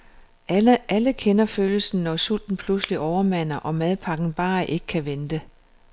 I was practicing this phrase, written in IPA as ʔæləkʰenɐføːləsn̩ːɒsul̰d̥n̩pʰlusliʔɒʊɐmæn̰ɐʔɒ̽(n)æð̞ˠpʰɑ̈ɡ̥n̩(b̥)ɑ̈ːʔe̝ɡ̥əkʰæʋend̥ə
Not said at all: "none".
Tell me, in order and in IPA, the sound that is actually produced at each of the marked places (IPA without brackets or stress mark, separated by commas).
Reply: m, b̥